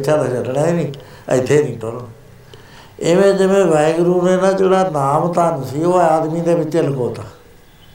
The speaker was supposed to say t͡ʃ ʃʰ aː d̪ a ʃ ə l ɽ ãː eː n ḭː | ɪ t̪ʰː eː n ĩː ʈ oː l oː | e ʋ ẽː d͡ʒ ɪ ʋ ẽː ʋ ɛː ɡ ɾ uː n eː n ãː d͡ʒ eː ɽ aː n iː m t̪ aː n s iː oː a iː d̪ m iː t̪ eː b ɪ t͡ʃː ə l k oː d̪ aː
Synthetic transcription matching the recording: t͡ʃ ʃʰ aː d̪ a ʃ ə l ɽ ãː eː n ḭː | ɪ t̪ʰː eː n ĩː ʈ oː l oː | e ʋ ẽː d͡ʒ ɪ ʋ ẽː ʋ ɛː ɡ ɾ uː n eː n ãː d͡ʒ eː ɽ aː n aː m t̪ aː n s iː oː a aː d̪ m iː d̪ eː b ɪ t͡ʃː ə l k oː t̪ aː